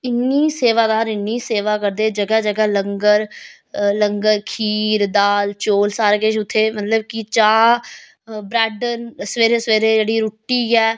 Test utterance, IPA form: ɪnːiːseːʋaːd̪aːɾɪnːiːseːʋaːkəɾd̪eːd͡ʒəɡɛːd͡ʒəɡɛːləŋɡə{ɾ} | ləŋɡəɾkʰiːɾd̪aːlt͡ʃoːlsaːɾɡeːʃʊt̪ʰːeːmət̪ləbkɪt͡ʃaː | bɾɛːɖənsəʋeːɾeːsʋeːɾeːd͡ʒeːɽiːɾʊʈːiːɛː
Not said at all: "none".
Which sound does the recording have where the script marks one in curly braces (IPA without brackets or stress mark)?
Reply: ɾ